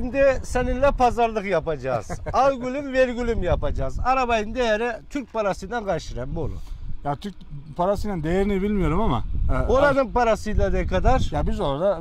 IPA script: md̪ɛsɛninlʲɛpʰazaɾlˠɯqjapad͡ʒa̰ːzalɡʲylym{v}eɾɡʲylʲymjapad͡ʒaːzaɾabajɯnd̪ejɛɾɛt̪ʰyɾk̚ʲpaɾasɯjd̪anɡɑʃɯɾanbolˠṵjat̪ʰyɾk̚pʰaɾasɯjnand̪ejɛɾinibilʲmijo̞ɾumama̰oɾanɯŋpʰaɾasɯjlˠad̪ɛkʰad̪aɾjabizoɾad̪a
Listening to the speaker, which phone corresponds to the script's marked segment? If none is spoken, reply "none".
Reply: v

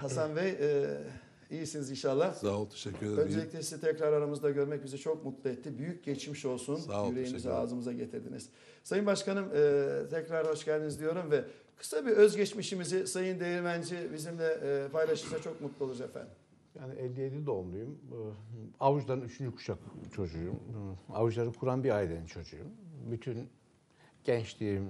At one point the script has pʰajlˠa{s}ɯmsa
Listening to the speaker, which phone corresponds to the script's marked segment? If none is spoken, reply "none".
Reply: ʃ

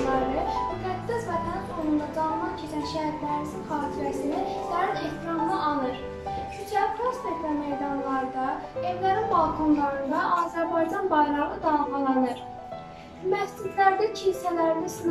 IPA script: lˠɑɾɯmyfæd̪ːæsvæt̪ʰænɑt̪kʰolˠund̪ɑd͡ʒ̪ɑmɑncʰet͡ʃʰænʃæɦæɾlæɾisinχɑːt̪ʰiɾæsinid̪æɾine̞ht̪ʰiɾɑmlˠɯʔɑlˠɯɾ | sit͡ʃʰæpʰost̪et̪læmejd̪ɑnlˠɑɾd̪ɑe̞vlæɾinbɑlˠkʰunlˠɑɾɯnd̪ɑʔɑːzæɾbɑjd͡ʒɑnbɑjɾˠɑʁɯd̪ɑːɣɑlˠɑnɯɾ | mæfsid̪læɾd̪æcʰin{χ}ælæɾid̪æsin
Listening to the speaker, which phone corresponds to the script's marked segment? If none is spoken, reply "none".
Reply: s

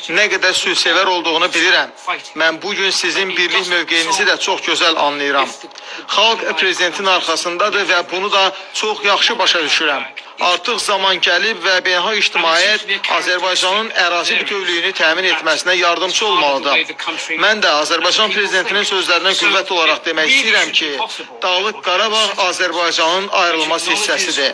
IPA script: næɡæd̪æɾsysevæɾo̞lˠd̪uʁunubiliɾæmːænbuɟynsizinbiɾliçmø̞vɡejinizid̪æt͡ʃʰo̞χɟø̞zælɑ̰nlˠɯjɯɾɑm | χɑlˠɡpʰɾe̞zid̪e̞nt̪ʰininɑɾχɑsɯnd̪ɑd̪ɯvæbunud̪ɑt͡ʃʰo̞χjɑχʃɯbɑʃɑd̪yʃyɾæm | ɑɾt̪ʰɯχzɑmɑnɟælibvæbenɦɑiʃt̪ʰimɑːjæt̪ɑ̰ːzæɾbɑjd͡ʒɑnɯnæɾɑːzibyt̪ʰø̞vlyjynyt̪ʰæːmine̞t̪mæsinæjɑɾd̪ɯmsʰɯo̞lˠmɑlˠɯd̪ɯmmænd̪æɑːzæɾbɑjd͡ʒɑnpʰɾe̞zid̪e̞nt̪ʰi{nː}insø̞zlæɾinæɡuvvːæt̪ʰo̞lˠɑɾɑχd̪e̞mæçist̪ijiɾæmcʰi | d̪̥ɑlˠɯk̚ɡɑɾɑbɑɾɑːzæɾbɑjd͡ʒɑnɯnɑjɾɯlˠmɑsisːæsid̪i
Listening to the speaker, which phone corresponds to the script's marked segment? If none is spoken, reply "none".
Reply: n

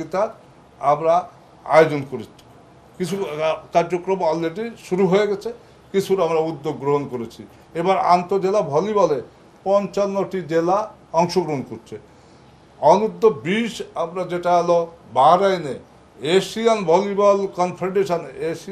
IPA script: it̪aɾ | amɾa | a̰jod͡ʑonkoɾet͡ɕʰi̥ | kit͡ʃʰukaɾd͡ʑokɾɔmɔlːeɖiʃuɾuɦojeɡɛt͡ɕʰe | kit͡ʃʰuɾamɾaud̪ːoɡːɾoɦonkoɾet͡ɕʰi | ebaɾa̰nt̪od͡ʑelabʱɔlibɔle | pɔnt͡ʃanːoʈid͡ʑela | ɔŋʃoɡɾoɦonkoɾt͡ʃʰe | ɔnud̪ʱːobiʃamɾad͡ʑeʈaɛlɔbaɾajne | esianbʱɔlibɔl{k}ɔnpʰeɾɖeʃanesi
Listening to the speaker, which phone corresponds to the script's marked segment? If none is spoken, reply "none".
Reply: k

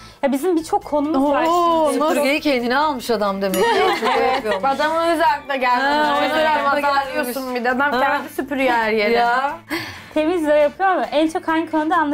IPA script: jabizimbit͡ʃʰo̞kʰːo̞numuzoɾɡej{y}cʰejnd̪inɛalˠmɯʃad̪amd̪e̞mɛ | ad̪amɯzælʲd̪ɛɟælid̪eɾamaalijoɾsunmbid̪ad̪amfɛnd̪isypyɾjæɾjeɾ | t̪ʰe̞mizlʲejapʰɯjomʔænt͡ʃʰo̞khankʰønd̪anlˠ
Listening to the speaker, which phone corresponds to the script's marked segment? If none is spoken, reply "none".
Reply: i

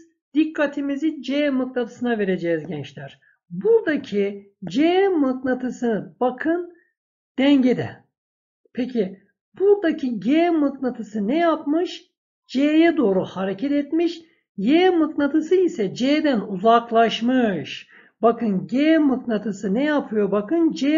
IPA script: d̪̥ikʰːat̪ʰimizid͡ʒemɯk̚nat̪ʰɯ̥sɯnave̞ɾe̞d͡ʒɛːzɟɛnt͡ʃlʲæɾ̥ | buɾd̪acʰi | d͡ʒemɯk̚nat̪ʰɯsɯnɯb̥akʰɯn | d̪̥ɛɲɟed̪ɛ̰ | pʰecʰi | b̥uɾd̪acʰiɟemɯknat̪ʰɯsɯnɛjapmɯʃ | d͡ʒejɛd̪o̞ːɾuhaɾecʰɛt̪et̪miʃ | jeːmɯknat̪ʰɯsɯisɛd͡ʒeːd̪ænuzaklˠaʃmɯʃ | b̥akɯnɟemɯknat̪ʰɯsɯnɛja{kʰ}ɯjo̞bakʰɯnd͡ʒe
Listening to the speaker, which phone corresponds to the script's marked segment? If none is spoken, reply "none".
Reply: pʰ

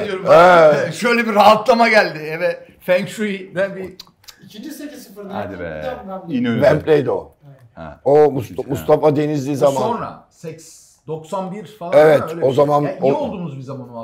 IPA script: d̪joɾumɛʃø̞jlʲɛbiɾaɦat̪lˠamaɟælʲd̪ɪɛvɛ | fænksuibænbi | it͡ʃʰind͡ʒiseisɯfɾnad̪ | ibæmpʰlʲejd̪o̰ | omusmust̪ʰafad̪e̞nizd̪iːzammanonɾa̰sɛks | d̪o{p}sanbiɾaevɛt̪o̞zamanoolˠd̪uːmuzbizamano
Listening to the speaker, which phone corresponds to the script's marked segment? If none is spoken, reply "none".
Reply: k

